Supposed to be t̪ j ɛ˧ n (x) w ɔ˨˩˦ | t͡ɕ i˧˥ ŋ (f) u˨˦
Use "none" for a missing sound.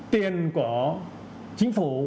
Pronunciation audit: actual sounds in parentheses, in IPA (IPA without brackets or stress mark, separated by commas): k, f